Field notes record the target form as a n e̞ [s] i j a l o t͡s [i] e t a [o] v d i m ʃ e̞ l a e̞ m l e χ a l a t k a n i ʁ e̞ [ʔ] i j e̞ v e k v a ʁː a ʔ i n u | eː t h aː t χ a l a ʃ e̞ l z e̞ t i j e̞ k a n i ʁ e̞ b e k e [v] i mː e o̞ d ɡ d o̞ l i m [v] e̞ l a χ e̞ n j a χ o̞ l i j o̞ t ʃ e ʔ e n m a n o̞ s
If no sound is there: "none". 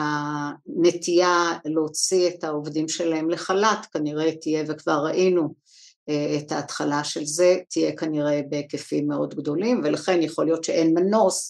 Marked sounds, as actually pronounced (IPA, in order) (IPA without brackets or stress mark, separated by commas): t, i, o, t, f, v